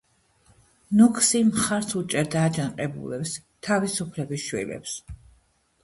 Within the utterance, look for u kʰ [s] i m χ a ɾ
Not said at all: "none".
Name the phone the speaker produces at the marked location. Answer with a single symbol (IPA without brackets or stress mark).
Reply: s